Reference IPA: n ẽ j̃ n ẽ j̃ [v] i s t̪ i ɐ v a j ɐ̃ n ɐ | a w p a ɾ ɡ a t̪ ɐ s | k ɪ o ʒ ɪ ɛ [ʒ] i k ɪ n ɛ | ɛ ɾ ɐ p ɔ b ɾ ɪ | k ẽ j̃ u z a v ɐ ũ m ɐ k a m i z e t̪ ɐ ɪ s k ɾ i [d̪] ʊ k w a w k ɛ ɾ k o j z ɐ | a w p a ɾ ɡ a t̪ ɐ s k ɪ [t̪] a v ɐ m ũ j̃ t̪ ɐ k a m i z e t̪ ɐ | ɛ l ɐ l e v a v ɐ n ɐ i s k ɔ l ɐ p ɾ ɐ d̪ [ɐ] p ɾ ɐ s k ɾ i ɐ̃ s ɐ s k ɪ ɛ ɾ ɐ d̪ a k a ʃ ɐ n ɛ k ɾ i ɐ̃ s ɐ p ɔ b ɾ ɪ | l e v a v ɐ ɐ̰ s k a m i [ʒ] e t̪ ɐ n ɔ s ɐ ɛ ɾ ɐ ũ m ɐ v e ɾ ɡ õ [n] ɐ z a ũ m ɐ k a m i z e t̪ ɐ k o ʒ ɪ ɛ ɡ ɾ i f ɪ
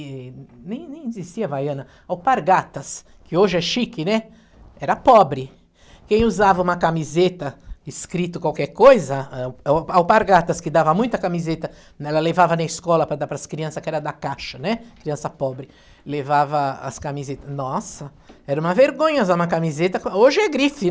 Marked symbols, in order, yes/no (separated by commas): no, no, no, no, no, no, no